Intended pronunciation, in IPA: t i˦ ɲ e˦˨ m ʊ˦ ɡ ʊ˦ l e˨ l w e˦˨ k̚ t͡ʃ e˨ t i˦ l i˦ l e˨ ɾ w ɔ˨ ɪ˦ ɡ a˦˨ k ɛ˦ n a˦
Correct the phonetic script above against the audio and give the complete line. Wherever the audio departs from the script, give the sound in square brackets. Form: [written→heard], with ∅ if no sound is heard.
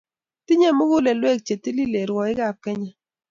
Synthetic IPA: t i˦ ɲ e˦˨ m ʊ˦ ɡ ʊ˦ l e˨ l w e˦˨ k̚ t͡ʃ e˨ t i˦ l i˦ l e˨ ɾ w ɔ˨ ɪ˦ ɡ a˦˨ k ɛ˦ [n→ɲ] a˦